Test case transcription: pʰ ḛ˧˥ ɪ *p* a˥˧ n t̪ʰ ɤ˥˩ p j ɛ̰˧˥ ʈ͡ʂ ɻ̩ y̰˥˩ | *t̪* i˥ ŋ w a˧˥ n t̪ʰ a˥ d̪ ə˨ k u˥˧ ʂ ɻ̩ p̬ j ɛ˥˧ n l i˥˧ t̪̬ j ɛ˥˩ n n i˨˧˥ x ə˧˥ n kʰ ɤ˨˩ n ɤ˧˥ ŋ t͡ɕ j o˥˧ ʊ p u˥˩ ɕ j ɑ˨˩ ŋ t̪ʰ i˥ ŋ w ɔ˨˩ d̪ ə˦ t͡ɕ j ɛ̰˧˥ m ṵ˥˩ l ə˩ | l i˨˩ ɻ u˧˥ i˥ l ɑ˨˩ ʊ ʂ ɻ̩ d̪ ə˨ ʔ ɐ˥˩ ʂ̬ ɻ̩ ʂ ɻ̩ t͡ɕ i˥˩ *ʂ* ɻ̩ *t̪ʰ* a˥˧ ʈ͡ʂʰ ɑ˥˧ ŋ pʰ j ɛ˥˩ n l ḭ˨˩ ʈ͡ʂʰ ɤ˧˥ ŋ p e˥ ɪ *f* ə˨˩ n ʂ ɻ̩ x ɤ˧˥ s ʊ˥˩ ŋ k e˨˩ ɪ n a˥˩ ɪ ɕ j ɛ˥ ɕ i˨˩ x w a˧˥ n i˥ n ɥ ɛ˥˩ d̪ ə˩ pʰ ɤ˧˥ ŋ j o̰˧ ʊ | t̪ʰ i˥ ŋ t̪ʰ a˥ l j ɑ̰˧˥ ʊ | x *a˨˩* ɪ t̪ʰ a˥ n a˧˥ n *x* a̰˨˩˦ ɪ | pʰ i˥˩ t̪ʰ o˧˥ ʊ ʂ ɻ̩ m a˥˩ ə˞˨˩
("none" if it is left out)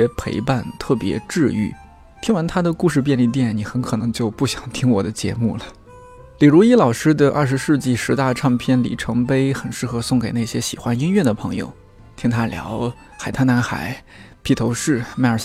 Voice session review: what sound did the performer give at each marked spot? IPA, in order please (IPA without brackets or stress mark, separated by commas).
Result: p, t̪ʰ, ʂ, t̪, x, a˨˩, x